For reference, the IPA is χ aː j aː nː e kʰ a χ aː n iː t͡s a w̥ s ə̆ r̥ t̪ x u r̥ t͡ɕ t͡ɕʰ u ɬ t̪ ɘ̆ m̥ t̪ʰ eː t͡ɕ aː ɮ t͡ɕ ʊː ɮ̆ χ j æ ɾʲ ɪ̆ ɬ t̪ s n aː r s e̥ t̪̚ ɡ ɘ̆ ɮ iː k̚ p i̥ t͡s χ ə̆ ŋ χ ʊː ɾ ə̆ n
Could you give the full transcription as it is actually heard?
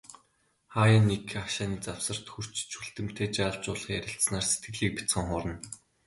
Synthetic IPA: χ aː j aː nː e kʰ a ʃ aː n iː t͡s a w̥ s ə̆ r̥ t̪ x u r̥ t͡ɕ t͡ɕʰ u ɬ t̪ ɘ̆ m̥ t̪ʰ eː t͡ɕ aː ɮ t͡ɕ ʊː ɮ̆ χ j æ ɾʲ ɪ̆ ɬ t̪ s n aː r s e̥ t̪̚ ɡ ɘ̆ ɮ iː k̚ p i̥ t͡s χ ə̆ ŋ χ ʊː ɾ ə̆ n